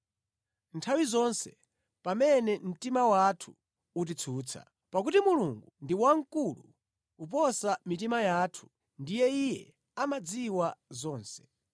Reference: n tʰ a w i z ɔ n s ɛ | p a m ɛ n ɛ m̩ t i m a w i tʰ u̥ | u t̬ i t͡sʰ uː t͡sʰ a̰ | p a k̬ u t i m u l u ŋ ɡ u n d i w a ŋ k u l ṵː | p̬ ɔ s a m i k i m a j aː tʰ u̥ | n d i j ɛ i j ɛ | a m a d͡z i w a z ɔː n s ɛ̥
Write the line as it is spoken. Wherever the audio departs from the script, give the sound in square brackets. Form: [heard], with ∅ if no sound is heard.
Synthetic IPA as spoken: n tʰ a w i z ɔ n s ɛ | p a m ɛ n ɛ m̩ t i m a w [a] tʰ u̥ | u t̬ i t͡sʰ uː t͡sʰ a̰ | p a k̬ u t i m u l u ŋ ɡ u n d i w a ŋ k u l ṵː | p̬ ɔ s a m i [t] i m a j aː tʰ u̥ | n d i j ɛ i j ɛ | a m a d͡z i w a z ɔː n s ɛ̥